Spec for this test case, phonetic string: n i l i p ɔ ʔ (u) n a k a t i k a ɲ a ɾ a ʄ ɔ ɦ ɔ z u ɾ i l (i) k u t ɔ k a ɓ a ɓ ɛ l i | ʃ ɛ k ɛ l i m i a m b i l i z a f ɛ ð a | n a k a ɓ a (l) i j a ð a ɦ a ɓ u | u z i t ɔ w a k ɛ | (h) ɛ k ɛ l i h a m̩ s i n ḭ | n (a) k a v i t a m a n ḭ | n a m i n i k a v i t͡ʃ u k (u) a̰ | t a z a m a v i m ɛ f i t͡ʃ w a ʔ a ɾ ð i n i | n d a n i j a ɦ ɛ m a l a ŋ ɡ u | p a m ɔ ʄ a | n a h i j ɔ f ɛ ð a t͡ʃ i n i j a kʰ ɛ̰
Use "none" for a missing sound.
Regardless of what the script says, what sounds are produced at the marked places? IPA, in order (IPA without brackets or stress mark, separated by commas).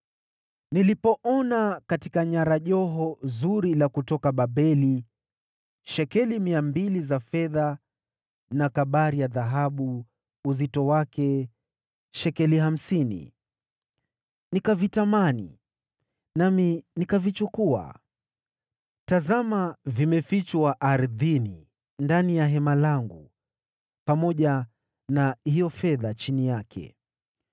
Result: ɔ, a, ɾ, ʃ, i, u